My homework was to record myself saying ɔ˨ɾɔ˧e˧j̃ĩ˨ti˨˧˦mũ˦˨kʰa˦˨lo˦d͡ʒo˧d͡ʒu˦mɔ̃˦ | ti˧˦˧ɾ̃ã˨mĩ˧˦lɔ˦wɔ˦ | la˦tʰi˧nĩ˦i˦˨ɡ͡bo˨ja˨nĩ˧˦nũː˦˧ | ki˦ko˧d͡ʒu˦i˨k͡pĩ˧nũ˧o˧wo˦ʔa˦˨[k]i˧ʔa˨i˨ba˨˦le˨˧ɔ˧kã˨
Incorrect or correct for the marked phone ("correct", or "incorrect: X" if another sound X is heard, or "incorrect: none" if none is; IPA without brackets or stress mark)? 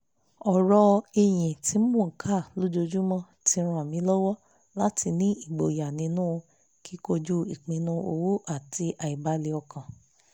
incorrect: t